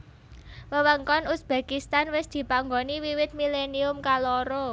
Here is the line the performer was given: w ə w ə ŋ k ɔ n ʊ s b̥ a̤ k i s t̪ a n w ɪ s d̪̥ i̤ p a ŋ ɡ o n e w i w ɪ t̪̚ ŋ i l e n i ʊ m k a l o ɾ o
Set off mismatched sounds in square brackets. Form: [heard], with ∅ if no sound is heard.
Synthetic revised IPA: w ə w ə ŋ k ɔ n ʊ s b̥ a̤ k i s t̪ a n w ɪ s d̪̥ i̤ p a ŋ ɡ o n [i] w i w ɪ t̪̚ [m] i l e n i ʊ m k a l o ɾ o

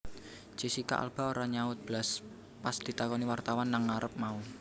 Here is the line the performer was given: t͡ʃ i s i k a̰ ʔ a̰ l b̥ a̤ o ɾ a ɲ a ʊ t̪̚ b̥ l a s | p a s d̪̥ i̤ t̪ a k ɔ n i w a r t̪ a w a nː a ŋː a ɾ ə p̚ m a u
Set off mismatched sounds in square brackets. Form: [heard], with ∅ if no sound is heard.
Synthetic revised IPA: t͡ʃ i s i k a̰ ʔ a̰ l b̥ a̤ o ɾ a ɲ a ʊ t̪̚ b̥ l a s | p a s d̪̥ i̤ t̪ a k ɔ n i w a r t̪ a w a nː a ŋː a ɾ ə p̚ m a u

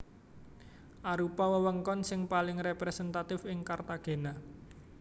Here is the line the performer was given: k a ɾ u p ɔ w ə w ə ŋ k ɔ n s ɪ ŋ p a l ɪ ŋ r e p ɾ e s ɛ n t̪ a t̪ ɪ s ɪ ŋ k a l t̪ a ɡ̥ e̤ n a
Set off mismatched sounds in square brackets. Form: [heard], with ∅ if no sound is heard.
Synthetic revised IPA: [ʔ] a ɾ u p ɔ w ə w ə ŋ k ɔ n s ɪ ŋ p a l ɪ ŋ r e p ɾ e s ɛ n t̪ a t̪ ɪ [f] ɪ ŋ k a [r] t̪ a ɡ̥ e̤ n a

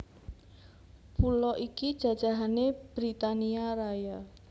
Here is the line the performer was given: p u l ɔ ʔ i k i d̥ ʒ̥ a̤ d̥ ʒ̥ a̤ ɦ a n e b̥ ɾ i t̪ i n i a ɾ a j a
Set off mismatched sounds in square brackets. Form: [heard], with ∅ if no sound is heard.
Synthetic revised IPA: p u l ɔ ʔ i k i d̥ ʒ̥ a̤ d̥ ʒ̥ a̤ ɦ a n e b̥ ɾ i t̪ [a] n i a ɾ a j a

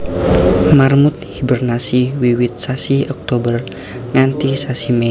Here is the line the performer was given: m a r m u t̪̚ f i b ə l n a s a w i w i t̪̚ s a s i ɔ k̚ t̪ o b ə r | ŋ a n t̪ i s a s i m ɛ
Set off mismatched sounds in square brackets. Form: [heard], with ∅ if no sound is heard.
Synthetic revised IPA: m a r m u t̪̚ [h] i b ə [r] n a s [i] w i w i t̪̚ s a s i ɔ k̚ t̪ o b ə r | ŋ a n t̪ i s a s i m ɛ

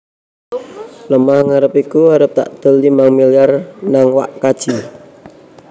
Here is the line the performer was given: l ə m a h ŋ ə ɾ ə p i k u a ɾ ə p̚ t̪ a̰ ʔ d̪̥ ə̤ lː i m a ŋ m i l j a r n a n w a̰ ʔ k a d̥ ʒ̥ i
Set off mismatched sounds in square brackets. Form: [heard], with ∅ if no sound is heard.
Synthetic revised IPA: l ə m a h ŋ [a] ɾ ə p i k u a ɾ ə p̚ t̪ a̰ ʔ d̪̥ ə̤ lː i m a ŋ m i l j a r n a [ŋ] w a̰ ʔ k a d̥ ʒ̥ i

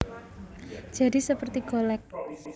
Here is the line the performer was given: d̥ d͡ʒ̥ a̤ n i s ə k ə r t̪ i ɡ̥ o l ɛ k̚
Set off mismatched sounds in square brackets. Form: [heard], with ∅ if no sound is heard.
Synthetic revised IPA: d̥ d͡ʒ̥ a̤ [d] i s ə [p] ə r t̪ i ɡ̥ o l ɛ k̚

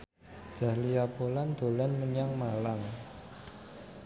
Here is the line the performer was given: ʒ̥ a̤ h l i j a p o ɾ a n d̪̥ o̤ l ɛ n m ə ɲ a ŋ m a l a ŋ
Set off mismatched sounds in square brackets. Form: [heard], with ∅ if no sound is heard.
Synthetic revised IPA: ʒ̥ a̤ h l i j a p o [l] a n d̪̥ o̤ l [a] n m ə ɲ a ŋ m a l a ŋ

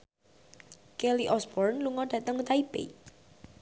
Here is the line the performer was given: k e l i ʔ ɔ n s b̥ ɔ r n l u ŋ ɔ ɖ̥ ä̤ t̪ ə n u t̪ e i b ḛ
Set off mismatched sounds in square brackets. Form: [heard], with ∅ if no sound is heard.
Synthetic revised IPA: k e l i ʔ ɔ [∅] s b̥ ɔ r n l u ŋ ɔ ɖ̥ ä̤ t̪ ə [ŋ] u t̪ [a] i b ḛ

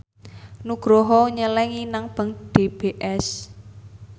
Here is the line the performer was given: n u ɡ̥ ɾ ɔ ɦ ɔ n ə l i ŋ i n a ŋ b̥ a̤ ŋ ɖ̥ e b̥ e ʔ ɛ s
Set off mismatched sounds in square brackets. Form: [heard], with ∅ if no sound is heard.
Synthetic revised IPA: n u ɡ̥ ɾ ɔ ɦ ɔ [ɲ] ə l [ɛ] ŋ i n a ŋ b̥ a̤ ŋ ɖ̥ e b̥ e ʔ ɛ s

